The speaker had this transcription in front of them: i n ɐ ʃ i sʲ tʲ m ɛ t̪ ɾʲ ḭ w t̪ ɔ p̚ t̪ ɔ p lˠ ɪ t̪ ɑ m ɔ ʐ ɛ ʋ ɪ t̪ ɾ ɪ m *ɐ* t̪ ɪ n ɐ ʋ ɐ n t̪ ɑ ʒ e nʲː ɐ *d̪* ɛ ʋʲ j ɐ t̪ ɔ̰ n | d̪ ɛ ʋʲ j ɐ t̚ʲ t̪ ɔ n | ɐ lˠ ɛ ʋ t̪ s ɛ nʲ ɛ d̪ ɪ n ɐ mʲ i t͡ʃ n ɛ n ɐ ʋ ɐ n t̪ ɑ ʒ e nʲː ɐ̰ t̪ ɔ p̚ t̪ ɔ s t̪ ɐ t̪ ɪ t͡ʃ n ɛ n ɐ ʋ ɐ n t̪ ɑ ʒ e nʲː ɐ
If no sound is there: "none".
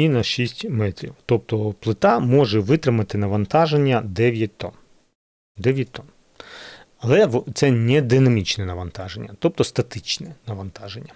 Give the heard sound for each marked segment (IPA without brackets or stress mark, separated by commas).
ɐ, d̪